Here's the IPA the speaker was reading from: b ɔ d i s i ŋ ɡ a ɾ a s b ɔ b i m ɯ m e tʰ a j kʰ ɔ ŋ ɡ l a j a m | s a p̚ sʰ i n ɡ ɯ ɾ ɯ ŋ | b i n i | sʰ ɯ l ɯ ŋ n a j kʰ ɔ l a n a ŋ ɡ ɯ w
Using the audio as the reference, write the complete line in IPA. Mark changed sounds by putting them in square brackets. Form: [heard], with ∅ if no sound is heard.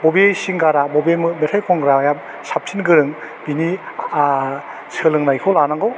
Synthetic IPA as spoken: b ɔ [b] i s i ŋ ɡ a ɾ a [∅] b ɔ b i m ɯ m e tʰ a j kʰ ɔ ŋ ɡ [ɾ] a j a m | s a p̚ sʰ i n ɡ ɯ ɾ ɯ ŋ | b i n i | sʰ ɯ l ɯ ŋ n a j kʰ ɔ l a n a ŋ ɡ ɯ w